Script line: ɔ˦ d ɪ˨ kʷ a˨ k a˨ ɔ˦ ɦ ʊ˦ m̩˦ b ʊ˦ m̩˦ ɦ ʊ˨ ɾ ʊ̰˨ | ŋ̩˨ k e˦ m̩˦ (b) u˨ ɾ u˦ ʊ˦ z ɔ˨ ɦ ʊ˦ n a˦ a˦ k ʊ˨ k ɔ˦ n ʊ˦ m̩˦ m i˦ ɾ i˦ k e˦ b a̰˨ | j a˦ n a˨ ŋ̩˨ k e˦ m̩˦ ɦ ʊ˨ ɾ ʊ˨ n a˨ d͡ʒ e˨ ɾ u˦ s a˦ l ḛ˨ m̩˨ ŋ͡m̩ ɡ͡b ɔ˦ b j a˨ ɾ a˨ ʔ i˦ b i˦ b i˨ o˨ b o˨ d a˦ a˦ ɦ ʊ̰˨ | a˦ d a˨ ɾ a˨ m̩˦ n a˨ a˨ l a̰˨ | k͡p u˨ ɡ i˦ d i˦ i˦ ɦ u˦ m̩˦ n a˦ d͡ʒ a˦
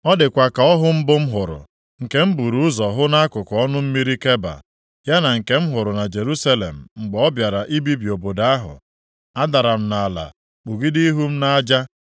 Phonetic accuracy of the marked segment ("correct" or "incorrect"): correct